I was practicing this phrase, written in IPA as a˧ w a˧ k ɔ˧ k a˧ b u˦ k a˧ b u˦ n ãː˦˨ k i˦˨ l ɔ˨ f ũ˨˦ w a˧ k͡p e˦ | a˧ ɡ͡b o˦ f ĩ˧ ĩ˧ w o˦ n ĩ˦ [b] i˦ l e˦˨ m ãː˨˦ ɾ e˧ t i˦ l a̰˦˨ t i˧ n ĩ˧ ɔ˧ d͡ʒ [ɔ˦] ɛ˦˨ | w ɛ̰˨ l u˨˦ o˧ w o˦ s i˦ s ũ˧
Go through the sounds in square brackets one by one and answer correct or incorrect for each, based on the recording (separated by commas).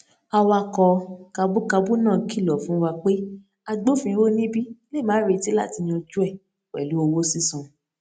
correct, incorrect